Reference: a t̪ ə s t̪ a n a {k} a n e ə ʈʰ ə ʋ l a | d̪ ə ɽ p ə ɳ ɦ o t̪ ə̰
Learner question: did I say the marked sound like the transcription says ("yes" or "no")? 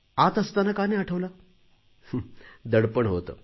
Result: yes